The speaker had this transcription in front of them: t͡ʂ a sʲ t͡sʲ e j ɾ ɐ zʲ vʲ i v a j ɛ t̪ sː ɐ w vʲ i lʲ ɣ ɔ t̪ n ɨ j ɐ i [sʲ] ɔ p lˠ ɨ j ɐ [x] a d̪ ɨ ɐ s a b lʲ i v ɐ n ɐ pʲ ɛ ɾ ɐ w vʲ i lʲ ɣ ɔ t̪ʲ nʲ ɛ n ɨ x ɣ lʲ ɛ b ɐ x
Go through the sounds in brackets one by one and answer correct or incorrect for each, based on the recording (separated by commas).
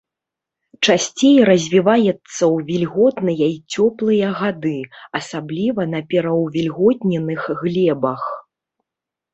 incorrect, incorrect